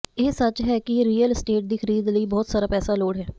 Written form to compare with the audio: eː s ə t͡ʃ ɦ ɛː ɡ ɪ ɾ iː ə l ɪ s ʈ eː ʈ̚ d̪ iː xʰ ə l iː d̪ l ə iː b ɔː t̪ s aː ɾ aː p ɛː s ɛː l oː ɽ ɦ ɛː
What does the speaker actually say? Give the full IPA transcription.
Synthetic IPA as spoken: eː s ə t͡ʃ ɦ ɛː k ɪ ɾ iː ə l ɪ s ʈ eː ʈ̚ d̪ iː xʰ ə ɾ iː d̪ l ə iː b ɔː t̪ s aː ɾ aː p ɛː s aː l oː ɽ ɦ ɛː